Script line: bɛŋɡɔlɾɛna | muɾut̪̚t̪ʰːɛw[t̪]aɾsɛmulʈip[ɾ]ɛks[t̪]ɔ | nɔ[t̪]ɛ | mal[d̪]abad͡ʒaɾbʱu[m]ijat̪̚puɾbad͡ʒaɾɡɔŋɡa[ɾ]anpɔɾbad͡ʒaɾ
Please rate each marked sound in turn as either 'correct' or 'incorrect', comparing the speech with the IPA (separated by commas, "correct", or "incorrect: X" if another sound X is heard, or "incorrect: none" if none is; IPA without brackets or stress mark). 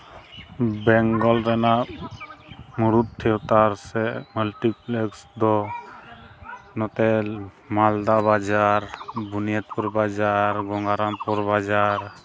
correct, incorrect: l, incorrect: d̪, correct, correct, incorrect: n, correct